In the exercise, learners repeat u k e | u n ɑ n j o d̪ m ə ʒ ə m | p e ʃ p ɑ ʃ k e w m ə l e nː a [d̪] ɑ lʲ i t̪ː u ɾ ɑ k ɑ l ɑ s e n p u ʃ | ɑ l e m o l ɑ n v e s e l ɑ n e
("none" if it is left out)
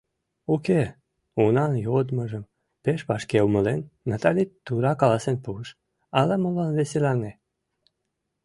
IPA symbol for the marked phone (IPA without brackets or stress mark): t̪